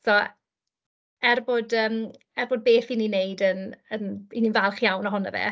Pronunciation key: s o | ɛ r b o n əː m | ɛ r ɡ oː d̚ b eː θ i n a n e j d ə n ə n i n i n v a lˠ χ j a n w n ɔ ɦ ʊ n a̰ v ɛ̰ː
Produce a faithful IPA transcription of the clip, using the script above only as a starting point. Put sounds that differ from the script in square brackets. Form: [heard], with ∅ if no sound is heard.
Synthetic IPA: s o | ɛ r b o [d] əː m | ɛ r [b] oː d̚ b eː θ i n [i] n e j d ə n ə n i n i n v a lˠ χ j a [∅] w n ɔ ɦ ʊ n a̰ v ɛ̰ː